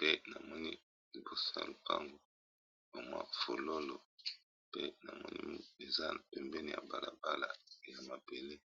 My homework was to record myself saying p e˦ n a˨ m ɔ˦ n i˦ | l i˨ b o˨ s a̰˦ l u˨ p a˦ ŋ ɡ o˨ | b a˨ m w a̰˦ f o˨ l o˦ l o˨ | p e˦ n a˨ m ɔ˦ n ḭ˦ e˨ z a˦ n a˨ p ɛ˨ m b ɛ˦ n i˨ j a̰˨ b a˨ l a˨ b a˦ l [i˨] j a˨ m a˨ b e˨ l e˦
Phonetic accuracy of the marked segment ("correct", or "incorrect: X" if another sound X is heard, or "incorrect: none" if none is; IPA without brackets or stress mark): incorrect: a˨